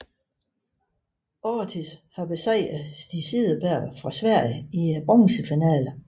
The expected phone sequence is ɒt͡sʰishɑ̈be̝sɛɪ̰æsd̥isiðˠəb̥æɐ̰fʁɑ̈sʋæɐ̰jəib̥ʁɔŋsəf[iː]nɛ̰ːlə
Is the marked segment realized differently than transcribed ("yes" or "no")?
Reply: yes